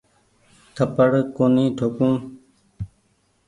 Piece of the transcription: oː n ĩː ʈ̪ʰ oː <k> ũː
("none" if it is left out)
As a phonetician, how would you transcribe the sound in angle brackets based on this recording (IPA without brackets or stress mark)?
k